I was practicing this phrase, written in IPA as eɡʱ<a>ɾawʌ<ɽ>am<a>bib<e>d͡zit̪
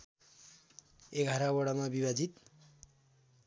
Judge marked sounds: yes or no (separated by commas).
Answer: yes, yes, yes, no